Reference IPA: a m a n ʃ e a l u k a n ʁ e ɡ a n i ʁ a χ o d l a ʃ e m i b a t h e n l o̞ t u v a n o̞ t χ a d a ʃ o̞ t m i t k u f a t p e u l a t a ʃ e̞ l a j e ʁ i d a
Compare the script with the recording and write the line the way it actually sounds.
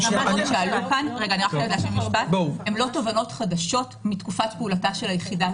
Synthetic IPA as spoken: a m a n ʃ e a l u k a n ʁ e ɡ a n i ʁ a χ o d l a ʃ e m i b a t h e m l o̞ t o v a n o̞ t χ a d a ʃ o̞ t m i t k u f a t p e u l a t a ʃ e̞ l a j e χ i d a